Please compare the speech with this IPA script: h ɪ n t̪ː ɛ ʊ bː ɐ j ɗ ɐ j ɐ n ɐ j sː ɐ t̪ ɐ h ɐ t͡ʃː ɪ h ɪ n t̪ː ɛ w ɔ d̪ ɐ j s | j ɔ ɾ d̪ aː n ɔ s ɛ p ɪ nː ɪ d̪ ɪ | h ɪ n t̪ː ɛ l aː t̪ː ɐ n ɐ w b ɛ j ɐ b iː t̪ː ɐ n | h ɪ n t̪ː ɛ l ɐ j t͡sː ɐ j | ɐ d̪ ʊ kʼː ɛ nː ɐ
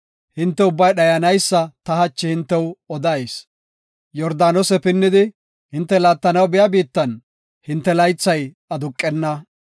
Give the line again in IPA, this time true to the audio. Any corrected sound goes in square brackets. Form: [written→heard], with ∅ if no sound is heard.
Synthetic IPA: h ɪ n t̪ː ɛ ʊ bː ɐ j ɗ ɐ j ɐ n ɐ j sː ɐ t̪ ɐ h ɐ t͡ʃː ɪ h ɪ n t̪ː ɛ w ɔ d̪ ɐ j s | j ɔ ɾ d̪ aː n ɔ s ɛ p ɪ nː ɪ d̪ ɪ | h ɪ n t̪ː ɛ l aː t̪ː ɐ n ɐ w b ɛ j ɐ b iː t̪ː ɐ n | h ɪ n t̪ː ɛ l ɐ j t͡sː ɐ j | ɐ d̪ ʊ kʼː ɛ nː ɐ

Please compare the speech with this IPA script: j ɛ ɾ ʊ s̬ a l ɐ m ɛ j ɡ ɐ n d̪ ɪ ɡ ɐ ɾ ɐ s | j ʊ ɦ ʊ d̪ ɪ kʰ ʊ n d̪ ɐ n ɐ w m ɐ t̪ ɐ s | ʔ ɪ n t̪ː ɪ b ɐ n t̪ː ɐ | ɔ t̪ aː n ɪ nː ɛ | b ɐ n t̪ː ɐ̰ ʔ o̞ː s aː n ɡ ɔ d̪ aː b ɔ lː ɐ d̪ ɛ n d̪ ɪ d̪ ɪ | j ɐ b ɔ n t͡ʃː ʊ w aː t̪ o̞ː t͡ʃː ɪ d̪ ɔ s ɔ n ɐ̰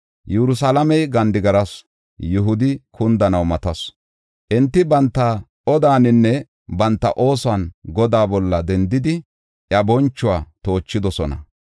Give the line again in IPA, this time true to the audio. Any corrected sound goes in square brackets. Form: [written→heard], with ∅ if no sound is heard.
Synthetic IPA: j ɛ ɾ ʊ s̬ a l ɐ m ɛ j ɡ ɐ n d̪ ɪ ɡ ɐ ɾ ɐ s | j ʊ ɦ ʊ d̪ ɪ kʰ ʊ n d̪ ɐ n ɐ w m ɐ t̪ ɐ s | ʔ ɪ n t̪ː ɪ b ɐ n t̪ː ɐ | ɔ [t̪→d̪] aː n ɪ nː ɛ | b ɐ n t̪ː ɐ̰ ʔ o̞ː s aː n ɡ ɔ d̪ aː b ɔ lː ɐ d̪ ɛ n d̪ ɪ d̪ ɪ | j ɐ b ɔ n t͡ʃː ʊ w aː t̪ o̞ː t͡ʃː ɪ d̪ ɔ s ɔ n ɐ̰

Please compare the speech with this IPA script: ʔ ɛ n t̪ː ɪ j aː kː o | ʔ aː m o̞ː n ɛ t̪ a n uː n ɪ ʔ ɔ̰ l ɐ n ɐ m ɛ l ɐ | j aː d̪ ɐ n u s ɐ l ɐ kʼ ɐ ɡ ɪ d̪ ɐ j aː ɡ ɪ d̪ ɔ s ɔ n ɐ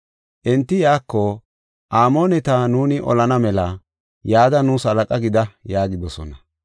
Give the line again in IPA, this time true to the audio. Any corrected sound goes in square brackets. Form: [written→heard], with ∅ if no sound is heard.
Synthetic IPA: ʔ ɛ n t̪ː ɪ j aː kː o | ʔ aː m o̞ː n ɛ t̪ a n uː n ɪ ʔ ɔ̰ l ɐ n ɐ m ɛ l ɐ | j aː d̪ ɐ n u s ɐ l ɐ kʼ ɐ ɡ ɪ d̪ ɐ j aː ɡ ɪ d̪ ɔ s ɔ n ɐ

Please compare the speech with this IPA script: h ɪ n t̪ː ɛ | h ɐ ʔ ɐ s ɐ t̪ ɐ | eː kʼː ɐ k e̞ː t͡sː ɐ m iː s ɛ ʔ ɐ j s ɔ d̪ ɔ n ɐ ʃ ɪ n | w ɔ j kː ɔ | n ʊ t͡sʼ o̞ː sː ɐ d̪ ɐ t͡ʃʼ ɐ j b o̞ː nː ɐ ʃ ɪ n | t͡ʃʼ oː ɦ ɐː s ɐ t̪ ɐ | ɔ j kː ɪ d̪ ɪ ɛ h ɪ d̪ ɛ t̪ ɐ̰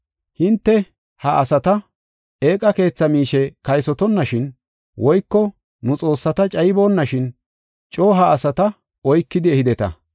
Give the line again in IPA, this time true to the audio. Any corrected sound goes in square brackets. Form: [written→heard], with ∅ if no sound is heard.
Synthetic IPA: h ɪ n t̪ː ɛ | h ɐ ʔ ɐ s ɐ t̪ ɐ | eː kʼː ɐ k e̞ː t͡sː ɐ m iː [s→ʃ] ɛ [ʔ→k] ɐ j s ɔ [d̪→t̪] ɔ [n→nː] ɐ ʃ ɪ n | w ɔ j kː ɔ | n ʊ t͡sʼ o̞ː sː ɐ [d̪→t̪] ɐ t͡ʃʼ ɐ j b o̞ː nː ɐ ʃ ɪ n | t͡ʃʼ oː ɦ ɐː s ɐ t̪ ɐ | ɔ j kː ɪ d̪ ɪ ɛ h ɪ d̪ ɛ t̪ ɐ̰

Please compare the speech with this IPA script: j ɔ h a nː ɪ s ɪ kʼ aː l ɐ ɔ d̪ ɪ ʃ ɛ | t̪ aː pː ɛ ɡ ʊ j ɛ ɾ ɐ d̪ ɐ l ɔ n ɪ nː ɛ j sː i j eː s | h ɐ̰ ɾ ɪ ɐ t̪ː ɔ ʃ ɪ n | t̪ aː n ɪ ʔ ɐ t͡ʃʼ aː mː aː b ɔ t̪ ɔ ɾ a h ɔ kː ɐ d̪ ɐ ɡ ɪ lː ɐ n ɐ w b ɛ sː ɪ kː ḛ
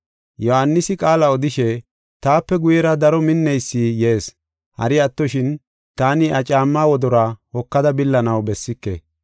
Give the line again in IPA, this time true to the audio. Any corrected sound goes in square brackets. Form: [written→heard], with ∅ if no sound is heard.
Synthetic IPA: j ɔ h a nː ɪ s ɪ kʼ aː l ɐ ɔ d̪ ɪ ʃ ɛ | t̪ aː pː ɛ ɡ ʊ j ɛ ɾ ɐ d̪ ɐ [l→ɾ] ɔ [n→m] ɪ nː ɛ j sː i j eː s | h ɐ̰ ɾ ɪ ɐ t̪ː ɔ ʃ ɪ n | t̪ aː n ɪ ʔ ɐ t͡ʃʼ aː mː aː [b→w] ɔ [t̪→d̪] ɔ ɾ a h ɔ kː ɐ d̪ ɐ [ɡ→b] ɪ lː ɐ n ɐ w b ɛ sː ɪ kː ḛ

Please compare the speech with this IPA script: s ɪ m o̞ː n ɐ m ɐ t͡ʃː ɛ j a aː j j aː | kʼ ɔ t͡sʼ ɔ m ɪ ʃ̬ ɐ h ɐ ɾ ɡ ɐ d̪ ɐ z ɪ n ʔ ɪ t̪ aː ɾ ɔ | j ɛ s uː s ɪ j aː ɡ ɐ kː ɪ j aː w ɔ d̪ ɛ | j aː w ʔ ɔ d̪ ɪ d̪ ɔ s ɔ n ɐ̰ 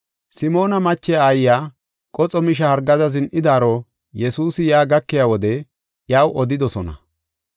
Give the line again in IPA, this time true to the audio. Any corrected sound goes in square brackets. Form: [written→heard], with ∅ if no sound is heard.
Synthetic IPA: s ɪ m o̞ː n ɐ m ɐ t͡ʃː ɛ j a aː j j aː | kʼ ɔ t͡sʼ ɔ m ɪ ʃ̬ ɐ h ɐ ɾ ɡ ɐ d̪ ɐ z ɪ n ʔ ɪ [t̪→d̪] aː ɾ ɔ | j ɛ s uː s ɪ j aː ɡ ɐ kː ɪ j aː w ɔ d̪ ɛ | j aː w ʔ ɔ d̪ ɪ d̪ ɔ s ɔ n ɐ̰

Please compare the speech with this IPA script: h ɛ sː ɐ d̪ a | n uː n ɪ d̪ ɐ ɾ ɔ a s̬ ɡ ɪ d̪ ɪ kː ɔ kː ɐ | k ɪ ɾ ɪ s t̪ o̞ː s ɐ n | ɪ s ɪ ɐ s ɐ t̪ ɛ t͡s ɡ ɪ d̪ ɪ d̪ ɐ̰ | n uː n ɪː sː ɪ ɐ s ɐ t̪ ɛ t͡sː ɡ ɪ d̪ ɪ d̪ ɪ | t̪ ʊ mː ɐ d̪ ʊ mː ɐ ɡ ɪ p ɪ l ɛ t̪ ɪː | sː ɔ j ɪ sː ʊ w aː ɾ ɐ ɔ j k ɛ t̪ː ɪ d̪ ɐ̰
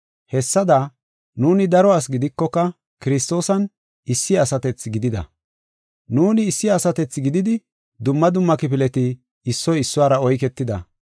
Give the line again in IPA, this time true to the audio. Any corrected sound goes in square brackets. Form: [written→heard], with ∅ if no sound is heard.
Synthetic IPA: h ɛ sː ɐ d̪ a | n uː n ɪ d̪ ɐ ɾ ɔ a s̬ ɡ ɪ d̪ ɪ kː ɔ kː ɐ | k ɪ ɾ ɪ s t̪ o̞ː s ɐ n | ɪ [s→sː] ɪ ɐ s ɐ t̪ ɛ t͡s ɡ ɪ d̪ ɪ d̪ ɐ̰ | n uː n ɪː sː ɪ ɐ s ɐ t̪ ɛ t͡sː ɡ ɪ d̪ ɪ d̪ ɪ | [t̪→d̪] ʊ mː ɐ d̪ ʊ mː ɐ [ɡ→k] ɪ p ɪ l ɛ t̪ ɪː | sː ɔ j ɪ sː ʊ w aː ɾ ɐ ɔ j k ɛ t̪ː ɪ d̪ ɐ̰

